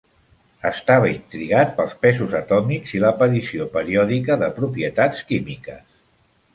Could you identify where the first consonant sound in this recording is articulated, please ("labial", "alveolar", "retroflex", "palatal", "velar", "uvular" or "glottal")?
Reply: alveolar